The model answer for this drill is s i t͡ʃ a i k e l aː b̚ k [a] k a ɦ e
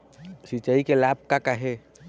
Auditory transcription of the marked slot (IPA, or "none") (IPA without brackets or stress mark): a